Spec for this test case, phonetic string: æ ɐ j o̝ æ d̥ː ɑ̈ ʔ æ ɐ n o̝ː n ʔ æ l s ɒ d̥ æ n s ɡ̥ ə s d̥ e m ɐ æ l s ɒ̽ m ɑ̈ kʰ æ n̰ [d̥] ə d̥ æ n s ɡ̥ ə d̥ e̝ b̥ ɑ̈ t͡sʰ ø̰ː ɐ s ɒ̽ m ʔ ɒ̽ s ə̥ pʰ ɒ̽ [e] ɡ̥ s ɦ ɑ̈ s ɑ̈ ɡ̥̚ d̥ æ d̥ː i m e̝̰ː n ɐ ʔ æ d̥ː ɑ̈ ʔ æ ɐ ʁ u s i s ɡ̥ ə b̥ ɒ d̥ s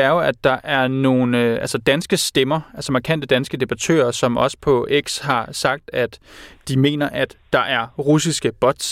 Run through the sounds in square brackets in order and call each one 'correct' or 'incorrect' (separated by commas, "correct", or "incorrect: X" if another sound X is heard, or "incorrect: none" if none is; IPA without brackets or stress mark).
correct, correct